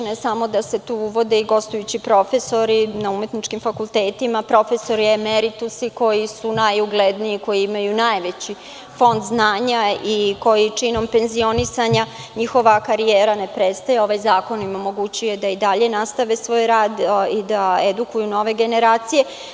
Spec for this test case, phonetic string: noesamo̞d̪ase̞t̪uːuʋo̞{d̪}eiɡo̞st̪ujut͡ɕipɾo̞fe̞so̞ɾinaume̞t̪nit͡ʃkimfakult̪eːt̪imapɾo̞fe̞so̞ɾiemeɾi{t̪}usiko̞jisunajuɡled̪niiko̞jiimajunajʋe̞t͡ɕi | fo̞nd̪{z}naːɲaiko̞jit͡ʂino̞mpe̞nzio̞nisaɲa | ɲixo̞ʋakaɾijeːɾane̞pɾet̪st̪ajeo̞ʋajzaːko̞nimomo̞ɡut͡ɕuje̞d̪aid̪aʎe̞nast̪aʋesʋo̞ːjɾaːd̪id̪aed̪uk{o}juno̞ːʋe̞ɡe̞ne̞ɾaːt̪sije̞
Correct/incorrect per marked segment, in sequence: correct, correct, correct, incorrect: u

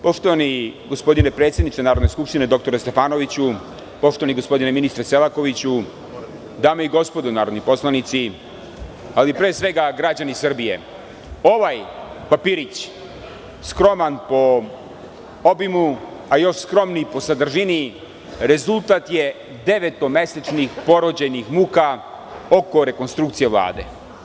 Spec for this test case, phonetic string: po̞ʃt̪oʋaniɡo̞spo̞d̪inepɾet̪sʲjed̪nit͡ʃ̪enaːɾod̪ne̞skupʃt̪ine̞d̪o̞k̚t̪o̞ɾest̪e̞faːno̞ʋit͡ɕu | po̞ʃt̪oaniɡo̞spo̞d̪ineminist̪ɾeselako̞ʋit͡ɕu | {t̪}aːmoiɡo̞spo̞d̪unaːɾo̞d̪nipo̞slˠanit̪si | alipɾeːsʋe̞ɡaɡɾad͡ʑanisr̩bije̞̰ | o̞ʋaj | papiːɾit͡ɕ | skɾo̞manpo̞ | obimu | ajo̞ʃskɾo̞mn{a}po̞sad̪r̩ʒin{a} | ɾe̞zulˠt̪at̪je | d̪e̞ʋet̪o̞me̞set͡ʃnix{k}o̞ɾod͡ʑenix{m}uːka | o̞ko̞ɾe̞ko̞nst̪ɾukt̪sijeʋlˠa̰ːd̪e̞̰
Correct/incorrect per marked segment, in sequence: incorrect: d̪, incorrect: i, incorrect: i, incorrect: p, correct

